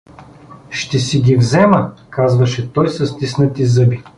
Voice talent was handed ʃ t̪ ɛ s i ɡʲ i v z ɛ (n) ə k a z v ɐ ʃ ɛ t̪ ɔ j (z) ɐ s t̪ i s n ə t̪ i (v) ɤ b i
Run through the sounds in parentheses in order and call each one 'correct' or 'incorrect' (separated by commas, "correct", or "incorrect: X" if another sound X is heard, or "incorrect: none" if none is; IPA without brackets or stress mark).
incorrect: m, incorrect: s, incorrect: z